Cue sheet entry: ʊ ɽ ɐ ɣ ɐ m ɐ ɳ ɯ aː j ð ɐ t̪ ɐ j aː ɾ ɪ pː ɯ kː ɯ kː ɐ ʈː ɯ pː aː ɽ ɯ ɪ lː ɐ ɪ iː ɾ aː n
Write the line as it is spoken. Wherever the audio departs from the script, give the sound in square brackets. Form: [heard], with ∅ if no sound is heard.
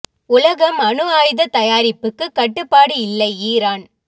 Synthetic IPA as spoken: ʊ [l] ɐ ɣ ɐ m ɐ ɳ ɯ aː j ð ɐ t̪ ɐ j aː ɾ ɪ pː ɯ kː ɯ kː ɐ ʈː ɯ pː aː ɽ ɯ ɪ lː ɐ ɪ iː ɾ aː n